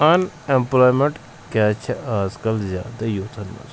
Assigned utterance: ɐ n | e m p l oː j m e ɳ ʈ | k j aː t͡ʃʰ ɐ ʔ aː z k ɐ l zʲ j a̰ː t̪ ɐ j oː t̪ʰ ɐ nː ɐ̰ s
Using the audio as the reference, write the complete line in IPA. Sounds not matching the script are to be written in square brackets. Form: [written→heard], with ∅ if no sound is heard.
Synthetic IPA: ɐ n | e m p l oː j m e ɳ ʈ | k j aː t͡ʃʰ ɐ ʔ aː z k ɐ l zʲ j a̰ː [t̪→d̪] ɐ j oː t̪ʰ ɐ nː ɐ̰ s